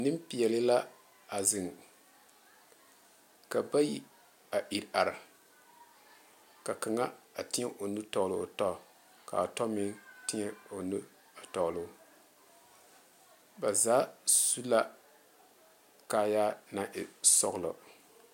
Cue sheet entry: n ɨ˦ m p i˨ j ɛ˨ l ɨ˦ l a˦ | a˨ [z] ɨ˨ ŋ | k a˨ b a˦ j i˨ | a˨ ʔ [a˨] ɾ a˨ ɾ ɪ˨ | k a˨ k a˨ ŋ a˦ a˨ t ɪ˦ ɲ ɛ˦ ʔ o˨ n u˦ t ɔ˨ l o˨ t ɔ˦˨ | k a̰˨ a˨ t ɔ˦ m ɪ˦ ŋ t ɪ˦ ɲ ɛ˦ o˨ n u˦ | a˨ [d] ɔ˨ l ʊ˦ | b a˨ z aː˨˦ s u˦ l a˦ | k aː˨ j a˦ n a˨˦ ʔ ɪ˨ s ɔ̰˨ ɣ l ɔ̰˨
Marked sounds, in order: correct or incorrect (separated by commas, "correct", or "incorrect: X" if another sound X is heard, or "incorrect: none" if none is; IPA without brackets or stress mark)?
correct, incorrect: i˨, incorrect: t